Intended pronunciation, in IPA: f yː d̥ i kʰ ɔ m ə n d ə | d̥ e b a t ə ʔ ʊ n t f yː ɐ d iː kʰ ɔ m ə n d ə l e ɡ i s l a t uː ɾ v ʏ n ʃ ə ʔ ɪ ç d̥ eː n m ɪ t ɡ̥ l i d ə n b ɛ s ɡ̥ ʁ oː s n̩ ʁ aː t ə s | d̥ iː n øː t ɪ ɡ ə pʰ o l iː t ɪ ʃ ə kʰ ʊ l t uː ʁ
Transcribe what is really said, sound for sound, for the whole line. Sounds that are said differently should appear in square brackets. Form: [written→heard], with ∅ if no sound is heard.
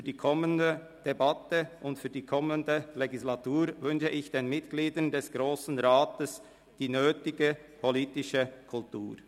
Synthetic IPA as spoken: f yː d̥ [i→iː] kʰ ɔ m ə n d ə | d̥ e b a t ə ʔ ʊ n t f yː ɐ d iː kʰ ɔ m ə n d ə l e ɡ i s l a t uː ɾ v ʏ n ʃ ə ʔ ɪ ç d̥ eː n m ɪ t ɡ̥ l [i→iː] d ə n [b→d] ɛ s ɡ̥ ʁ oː s n̩ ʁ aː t ə s | d̥ iː n øː t ɪ ɡ ə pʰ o l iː t ɪ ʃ ə kʰ ʊ l t uː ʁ

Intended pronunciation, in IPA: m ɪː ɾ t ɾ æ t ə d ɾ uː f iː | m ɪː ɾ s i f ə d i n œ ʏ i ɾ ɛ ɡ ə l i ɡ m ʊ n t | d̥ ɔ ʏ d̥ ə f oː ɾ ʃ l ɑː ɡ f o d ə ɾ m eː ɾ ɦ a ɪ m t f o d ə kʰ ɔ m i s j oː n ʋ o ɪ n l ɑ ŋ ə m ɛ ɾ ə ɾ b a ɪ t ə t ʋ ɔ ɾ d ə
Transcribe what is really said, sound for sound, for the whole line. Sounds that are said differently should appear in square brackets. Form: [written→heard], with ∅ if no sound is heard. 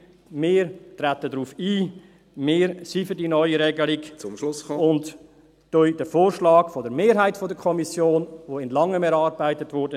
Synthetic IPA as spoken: m ɪː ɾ t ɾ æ t ə d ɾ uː f iː | m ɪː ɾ s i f ə d i n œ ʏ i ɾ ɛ ɡ ə l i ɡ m ʊ n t | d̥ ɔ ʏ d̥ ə f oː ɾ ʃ l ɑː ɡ f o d ə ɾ m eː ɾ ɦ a ɪ [m→∅] t f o d ə kʰ ɔ m i s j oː n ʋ o ɪ n l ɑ ŋ ə m ɛ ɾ [ə→ɑ] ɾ b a ɪ t ə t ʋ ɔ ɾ d ə

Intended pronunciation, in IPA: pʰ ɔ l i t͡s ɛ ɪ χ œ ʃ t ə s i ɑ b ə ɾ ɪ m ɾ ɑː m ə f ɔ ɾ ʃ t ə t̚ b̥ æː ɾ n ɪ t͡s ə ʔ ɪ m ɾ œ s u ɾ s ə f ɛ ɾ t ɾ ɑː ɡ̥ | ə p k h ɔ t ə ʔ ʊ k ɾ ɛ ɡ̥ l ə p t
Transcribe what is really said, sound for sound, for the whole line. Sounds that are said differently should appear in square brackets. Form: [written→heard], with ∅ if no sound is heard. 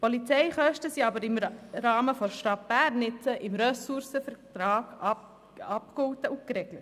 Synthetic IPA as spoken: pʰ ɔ l i t͡s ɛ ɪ χ œ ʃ t ə s i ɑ b ə ɾ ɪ m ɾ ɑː m ə f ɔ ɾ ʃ t [ə→ɑ] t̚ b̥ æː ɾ n ɪ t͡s ə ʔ ɪ m ɾ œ s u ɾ s ə f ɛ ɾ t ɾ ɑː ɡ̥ | [ə→ɑ] p k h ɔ t ə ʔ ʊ k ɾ ɛ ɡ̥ l ə [p→∅] t

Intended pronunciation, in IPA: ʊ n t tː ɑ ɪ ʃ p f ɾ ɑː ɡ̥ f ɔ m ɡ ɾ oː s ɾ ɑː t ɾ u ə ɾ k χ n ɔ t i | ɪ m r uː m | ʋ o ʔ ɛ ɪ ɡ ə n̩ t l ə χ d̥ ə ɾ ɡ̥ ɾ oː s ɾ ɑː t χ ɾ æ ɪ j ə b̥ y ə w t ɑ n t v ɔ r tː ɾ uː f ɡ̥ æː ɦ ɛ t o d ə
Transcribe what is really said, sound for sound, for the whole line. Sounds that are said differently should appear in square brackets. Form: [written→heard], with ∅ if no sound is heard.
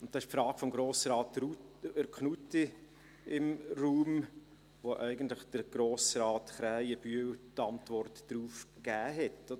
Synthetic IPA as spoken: ʊ n t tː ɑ ɪ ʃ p f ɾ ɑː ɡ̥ f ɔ m ɡ ɾ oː s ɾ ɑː t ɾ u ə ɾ k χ n [ɔ→u] t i | ɪ m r uː m | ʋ o ʔ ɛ ɪ ɡ ə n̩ t l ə χ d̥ ə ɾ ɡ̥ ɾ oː s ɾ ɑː t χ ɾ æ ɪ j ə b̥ y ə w t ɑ n t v ɔ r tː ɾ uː f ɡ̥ æː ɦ ɛ t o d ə

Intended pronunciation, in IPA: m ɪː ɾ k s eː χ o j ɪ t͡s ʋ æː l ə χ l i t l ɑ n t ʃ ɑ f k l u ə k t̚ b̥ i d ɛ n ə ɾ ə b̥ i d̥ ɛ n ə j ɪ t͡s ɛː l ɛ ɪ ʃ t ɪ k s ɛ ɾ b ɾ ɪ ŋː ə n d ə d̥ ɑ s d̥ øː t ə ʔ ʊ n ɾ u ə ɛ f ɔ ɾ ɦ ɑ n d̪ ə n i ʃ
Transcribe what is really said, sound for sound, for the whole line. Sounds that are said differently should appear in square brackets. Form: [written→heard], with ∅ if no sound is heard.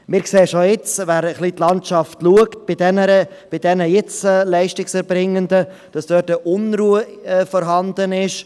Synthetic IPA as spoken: m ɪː ɾ k s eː [χ→ʃ] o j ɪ t͡s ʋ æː [l→ɾ] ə χ l i t l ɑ n t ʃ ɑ f [k→t] l u ə k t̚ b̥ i d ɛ n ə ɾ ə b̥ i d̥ ɛ n ə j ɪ t͡s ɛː l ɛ ɪ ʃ t ɪ k s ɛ ɾ b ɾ ɪ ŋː ə n d ə d̥ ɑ s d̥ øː t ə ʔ ʊ n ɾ u ə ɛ f ɔ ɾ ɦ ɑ n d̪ ə n [i→ɪ] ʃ

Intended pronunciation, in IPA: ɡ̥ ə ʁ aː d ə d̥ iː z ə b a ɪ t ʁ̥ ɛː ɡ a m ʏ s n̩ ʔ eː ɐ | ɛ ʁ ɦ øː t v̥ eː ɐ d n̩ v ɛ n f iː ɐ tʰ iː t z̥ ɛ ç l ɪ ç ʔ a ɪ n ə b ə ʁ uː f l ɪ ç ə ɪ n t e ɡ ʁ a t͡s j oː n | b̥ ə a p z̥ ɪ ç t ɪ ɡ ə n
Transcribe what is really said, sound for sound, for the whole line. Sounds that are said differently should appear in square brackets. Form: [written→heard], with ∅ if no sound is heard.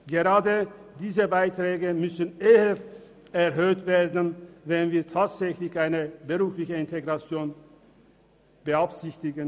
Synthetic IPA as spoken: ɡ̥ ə ʁ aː d ə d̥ iː z ə b a ɪ t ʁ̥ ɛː ɡ [a→ə] m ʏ s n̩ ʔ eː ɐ | ɛ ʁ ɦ øː t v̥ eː ɐ d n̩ v ɛ n [f→v] iː ɐ tʰ [iː→aː] t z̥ ɛ ç l ɪ ç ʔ a ɪ n ə b ə ʁ uː f l ɪ ç ə ɪ n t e ɡ ʁ a t͡s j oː n | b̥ ə a p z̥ ɪ ç t ɪ ɡ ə n

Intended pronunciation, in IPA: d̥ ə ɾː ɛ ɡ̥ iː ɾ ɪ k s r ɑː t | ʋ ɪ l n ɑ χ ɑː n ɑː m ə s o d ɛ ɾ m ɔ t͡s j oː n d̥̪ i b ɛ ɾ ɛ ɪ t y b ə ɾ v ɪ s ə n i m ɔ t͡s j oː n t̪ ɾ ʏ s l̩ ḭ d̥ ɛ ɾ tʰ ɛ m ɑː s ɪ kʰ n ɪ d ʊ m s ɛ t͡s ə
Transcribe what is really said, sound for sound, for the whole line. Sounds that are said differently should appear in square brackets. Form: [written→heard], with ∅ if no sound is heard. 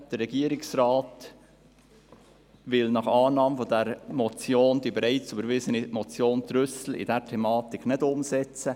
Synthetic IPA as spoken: d̥ ə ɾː ɛ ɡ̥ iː ɾ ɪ k s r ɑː t | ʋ ɪ l n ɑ χ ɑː n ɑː m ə [s→f] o d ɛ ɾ m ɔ t͡s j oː n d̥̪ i b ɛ ɾ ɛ ɪ [t→t͡s] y b ə ɾ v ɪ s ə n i m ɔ t͡s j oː n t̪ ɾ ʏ s l̩ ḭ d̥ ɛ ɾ tʰ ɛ m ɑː [s→t] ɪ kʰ n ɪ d ʊ m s ɛ t͡s ə

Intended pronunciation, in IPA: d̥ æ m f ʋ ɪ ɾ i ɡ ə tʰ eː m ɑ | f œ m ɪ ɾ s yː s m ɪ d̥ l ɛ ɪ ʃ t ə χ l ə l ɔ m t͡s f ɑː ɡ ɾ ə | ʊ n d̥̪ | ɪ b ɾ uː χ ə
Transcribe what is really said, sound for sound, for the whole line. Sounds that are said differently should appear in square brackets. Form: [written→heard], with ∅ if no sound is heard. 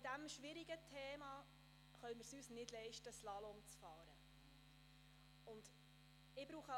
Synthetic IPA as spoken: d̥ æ m [f→ʃ] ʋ ɪ ɾ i ɡ ə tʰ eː m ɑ | [f→χ] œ m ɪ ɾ s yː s [m→n] ɪ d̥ l ɛ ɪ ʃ t ə [χ→s] l [ə→ɑ] l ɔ m t͡s f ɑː [ɡ→∅] ɾ ə | ʊ n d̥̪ | ɪ b ɾ uː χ ə

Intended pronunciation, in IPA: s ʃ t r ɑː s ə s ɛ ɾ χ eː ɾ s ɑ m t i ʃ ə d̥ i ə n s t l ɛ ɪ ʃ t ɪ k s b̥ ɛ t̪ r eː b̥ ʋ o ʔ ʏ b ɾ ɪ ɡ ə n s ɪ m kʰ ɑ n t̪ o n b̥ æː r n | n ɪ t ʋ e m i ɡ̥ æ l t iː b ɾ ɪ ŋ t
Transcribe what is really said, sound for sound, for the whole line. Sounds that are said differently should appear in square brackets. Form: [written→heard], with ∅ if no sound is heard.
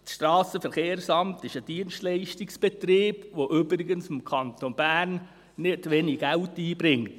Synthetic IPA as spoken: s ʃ t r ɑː s ə [s→f] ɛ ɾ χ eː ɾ s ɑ m t [i→ɪ] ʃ ə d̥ i ə n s t l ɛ ɪ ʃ t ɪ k s b̥ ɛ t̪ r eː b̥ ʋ o ʔ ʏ b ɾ ɪ ɡ ə n s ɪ m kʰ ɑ n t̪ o n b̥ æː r n | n ɪ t ʋ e [m→n] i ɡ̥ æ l t iː b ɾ ɪ ŋ t

